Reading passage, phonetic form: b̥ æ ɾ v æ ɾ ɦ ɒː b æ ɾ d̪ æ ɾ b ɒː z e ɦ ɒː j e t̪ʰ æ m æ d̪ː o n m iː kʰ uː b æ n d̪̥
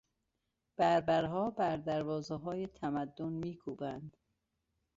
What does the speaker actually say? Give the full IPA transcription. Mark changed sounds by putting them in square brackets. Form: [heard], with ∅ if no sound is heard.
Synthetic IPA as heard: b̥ æ ɾ [b] æ ɾ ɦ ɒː b æ ɾ d̪ æ ɾ [v] ɒː z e ɦ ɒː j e t̪ʰ æ m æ d̪ː o n m iː kʰ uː b æ n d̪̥